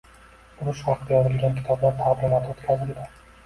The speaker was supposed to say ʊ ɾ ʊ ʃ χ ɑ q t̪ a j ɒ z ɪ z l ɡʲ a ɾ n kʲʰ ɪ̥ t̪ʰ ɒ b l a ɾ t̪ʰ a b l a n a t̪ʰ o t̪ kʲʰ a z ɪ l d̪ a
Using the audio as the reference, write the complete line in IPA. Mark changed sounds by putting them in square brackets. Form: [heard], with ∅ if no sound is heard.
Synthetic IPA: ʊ ɾ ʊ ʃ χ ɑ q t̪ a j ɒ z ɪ [∅] l ɡʲ a [∅] n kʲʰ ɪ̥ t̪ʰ ɒ b l a ɾ t̪ʰ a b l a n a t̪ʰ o t̪ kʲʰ a z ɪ l d̪ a